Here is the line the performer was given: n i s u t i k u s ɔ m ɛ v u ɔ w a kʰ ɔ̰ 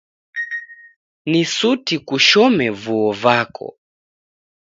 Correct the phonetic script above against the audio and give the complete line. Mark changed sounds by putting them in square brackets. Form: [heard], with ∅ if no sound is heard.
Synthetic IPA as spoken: n i s u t i k u [ʃ] ɔ m ɛ v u ɔ [v] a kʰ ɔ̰